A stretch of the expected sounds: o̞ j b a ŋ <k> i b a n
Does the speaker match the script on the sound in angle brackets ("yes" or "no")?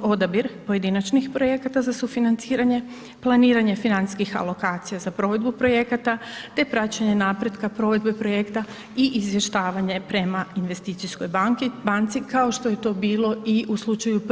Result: yes